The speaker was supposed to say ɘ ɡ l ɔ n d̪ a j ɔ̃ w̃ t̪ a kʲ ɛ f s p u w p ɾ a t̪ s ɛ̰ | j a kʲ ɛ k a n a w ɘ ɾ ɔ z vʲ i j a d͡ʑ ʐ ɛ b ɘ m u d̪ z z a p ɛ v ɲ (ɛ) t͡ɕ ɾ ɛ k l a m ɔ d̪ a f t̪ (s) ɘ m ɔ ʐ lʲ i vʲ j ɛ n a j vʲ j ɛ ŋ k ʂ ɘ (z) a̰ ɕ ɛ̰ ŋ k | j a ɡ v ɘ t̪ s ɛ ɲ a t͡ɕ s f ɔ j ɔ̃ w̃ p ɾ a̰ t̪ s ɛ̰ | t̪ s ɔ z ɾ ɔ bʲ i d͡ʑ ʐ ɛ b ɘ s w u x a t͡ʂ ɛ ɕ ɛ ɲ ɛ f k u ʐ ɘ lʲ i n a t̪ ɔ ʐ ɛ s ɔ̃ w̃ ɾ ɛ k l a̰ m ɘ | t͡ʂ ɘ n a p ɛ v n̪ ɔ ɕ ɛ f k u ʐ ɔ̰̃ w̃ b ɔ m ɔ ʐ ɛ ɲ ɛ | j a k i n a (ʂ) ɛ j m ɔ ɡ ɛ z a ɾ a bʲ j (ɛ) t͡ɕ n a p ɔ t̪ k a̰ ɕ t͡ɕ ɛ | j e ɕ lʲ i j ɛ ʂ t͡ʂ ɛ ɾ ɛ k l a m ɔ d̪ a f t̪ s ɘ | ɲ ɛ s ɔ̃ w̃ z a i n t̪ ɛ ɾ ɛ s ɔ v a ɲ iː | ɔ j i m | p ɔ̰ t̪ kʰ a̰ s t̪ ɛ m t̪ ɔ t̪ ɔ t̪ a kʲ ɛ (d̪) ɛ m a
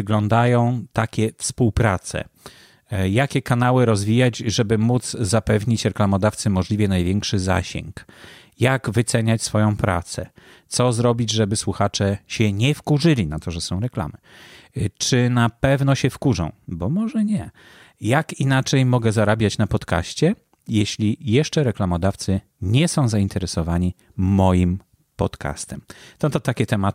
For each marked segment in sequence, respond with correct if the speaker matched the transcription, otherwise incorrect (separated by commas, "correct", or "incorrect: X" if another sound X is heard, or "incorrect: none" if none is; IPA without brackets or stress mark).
incorrect: i, correct, correct, incorrect: t͡ʂ, incorrect: a, incorrect: t̪